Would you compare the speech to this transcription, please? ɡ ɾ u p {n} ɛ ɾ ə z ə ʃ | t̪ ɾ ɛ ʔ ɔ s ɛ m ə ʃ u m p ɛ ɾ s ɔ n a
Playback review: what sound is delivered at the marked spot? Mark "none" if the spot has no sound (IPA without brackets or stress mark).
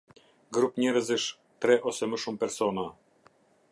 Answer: ɲ